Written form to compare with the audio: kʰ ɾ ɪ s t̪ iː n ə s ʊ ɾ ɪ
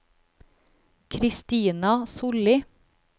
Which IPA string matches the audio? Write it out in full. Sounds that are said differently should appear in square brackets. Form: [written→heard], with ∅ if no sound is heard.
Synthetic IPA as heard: kʰ ɾ ɪ s t̪ iː n [ə→ɑ] s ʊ [ɾ→l] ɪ